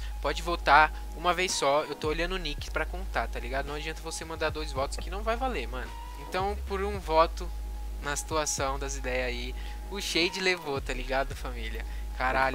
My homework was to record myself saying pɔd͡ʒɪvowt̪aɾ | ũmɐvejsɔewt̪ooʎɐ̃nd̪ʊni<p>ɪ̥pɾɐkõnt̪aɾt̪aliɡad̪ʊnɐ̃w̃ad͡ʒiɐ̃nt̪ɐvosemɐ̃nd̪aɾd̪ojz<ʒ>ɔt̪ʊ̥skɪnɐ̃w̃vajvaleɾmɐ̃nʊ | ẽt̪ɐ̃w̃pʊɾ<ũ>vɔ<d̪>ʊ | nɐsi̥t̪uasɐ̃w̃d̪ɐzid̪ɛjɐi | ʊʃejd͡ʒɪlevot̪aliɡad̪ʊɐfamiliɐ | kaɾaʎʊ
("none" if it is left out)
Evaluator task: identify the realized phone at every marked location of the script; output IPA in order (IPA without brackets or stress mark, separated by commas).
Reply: k, v, ũ, t̪